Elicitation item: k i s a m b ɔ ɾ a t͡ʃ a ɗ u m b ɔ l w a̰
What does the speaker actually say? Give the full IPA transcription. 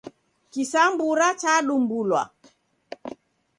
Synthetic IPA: k i s a m b u ɾ a t͡ʃ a ɗ u m b u l w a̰